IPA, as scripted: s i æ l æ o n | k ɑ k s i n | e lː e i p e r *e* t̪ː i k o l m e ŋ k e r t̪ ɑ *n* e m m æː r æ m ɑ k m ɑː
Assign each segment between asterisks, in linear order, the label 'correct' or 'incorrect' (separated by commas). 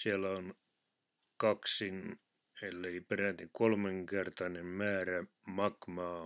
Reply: incorrect, correct